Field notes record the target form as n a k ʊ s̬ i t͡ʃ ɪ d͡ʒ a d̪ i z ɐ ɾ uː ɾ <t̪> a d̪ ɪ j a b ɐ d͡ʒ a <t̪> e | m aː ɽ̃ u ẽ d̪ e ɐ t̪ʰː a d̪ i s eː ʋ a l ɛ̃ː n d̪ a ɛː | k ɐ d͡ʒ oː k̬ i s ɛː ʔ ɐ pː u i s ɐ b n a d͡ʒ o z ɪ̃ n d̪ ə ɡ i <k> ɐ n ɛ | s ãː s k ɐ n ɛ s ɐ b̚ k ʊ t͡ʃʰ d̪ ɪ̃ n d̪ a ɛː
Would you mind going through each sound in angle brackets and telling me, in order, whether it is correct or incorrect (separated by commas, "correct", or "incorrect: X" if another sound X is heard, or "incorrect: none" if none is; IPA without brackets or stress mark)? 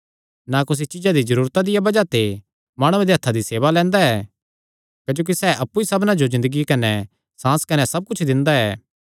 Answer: correct, correct, correct